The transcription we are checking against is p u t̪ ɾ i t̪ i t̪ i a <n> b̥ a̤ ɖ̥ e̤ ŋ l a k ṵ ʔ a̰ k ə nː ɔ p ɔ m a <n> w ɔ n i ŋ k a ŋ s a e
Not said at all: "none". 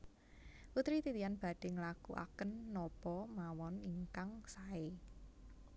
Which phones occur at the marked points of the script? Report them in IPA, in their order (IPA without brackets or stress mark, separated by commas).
n, none